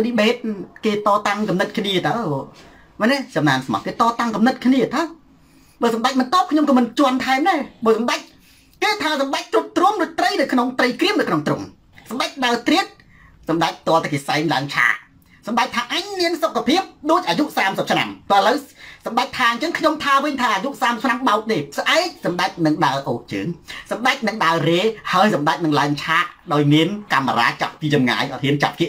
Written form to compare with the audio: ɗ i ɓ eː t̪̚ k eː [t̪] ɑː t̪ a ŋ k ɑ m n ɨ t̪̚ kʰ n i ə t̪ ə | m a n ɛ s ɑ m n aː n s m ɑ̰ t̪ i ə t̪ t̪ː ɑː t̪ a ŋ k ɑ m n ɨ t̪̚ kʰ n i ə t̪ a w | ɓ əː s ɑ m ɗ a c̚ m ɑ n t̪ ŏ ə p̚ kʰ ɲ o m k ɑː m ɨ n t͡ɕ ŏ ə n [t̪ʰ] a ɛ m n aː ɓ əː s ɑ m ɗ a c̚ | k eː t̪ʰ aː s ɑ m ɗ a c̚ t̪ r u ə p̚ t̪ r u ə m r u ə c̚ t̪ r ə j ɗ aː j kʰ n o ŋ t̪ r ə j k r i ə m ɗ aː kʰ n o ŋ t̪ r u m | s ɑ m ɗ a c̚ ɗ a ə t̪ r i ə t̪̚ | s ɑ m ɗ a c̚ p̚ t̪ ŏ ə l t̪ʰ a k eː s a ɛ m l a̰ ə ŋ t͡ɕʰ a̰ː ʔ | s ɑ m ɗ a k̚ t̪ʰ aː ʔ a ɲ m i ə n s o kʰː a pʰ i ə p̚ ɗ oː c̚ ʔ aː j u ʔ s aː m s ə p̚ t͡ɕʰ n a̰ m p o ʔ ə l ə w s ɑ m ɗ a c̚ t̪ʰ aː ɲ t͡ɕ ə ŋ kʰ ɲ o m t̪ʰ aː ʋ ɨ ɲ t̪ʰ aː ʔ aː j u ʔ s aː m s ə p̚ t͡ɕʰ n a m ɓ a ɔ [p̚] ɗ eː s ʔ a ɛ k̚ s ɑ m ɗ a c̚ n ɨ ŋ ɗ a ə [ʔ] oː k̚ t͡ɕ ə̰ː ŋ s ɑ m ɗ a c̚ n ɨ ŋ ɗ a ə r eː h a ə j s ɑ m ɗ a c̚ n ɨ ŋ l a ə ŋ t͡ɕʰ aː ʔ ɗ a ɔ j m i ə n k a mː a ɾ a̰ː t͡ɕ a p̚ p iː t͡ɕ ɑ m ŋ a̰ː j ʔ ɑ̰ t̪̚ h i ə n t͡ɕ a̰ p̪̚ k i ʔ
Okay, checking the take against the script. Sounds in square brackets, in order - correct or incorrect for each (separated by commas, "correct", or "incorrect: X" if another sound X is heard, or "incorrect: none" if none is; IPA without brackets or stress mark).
correct, correct, incorrect: k̚, correct